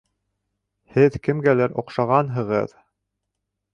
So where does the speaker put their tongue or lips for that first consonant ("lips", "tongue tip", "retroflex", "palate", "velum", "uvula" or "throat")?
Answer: throat